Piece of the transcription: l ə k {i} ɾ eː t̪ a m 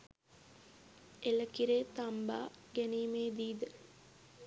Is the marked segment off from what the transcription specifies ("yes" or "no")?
no